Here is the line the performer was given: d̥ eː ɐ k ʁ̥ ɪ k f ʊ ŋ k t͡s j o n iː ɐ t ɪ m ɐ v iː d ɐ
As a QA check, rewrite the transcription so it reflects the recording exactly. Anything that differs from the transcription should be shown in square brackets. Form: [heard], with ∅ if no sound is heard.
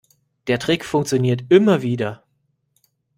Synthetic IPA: d̥ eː ɐ [t] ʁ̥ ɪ k f ʊ ŋ k t͡s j o n iː ɐ t ɪ m ɐ v iː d ɐ